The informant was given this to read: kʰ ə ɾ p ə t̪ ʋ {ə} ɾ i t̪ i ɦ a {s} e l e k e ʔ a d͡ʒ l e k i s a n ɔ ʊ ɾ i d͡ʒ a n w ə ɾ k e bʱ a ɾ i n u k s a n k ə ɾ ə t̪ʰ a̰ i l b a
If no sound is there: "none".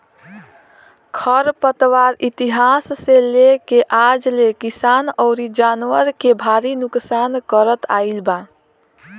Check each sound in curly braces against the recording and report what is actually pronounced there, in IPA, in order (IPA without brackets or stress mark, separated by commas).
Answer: a, sː